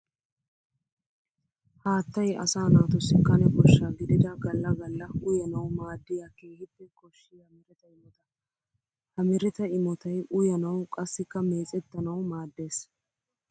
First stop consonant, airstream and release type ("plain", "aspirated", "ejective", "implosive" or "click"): plain